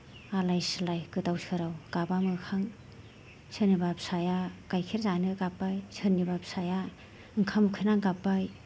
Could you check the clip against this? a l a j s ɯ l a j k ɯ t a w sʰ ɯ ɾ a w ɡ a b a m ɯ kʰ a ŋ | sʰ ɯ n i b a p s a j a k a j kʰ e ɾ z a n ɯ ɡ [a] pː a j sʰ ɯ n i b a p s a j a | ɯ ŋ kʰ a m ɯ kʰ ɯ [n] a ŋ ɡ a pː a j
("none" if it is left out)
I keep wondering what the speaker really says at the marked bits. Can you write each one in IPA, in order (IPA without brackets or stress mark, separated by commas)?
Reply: a, n